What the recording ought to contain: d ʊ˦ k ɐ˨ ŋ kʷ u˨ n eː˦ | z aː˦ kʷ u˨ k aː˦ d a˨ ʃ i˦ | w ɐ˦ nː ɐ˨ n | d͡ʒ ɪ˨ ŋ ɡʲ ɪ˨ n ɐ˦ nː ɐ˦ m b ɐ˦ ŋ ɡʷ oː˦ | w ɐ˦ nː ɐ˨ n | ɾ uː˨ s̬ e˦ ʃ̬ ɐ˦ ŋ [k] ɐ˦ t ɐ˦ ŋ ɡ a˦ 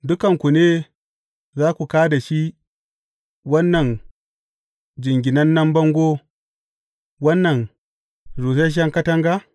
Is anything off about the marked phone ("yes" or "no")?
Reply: no